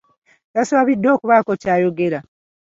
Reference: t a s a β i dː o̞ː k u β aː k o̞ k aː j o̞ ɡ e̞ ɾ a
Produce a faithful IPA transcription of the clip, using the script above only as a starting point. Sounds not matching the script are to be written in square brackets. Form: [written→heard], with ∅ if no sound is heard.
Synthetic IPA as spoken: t a s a β i dː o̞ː k u β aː k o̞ [k→c] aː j o̞ ɡ e̞ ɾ a

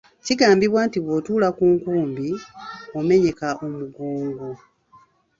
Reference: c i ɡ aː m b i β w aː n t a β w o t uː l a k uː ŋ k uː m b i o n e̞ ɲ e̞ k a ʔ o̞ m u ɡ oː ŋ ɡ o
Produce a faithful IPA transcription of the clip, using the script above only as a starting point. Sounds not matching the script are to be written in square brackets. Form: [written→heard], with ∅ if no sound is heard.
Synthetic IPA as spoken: c i ɡ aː m b i β w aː n t [a→i] β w o t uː l a k uː ŋ k uː m b i o [n→m] e̞ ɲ e̞ k a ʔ o̞ m u ɡ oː ŋ ɡ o

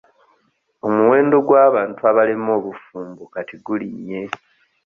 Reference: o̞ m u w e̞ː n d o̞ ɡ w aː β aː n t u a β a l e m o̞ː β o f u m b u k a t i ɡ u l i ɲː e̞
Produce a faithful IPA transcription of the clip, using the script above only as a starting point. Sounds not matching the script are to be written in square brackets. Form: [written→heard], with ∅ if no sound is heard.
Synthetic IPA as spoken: o̞ m u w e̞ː n d o̞ ɡ w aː β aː n t u a β a l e m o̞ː β [o→u] f [u→uː] m b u k a t i ɡ u l i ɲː e̞

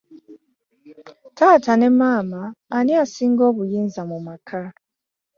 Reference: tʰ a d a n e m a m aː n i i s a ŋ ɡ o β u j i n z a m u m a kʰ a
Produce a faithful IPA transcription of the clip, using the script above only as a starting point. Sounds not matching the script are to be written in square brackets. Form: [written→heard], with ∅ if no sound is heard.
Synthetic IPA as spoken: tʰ a [d→t] a n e m a m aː n i [i→a] s [a→i] ŋ ɡ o β u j i n z a m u m a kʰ a

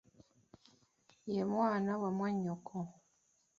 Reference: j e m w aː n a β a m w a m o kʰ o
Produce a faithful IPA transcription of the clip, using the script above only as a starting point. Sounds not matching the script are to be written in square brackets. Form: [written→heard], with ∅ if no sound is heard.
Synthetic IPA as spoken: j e m w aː n a [β→w] a m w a [m→ɲ] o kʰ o

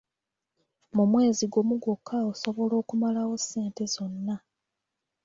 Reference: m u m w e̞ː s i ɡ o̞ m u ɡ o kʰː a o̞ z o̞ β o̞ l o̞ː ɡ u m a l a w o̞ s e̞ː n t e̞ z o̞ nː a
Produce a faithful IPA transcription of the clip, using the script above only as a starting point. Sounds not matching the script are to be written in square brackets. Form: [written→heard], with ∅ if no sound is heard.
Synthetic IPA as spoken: m u m w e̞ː [s→z] i ɡ o̞ m u ɡ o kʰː a o̞ [z→s] o̞ β o̞ l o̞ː [ɡ→k] u m a l a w o̞ s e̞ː n t e̞ z o̞ nː a

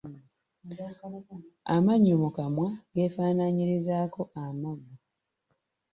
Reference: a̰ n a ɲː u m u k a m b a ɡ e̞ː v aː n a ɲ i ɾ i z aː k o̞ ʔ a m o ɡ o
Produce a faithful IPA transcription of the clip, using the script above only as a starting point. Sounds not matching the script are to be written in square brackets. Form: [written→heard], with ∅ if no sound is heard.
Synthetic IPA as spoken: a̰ [n→m] a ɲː u m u k a m [b→w] a ɡ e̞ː [v→f] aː n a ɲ i ɾ i z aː k o̞ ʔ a m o ɡ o

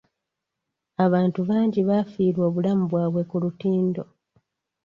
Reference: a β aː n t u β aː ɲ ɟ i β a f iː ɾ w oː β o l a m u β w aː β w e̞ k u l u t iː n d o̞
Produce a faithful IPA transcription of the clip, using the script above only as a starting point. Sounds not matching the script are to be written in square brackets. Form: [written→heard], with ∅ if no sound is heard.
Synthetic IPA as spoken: a β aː n t u β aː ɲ ɟ i β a f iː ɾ w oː β [o→u] l a m u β w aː β w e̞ k u l u t iː n d o̞

